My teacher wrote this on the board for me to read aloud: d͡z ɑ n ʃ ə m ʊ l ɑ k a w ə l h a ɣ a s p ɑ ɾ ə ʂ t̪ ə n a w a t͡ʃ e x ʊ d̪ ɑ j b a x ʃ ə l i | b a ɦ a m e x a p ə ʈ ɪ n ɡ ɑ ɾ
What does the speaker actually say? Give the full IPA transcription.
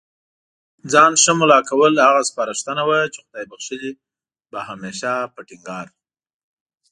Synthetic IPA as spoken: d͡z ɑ n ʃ ə m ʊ l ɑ k a w ə l h a ɣ a s p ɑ ɾ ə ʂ t̪ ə n a w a t͡ʃ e x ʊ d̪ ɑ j b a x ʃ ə l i | b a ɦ a m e ʃ a p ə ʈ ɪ ŋ ɡ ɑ ɾ